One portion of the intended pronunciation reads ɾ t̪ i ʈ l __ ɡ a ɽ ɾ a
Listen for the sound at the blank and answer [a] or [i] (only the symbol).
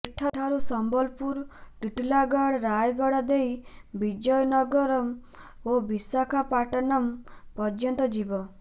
a